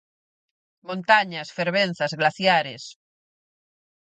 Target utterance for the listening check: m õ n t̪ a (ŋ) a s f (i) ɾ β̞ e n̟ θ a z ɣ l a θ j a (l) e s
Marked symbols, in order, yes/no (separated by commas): no, no, no